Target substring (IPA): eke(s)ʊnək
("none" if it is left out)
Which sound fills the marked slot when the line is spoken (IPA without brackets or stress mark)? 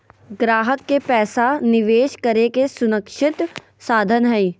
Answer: s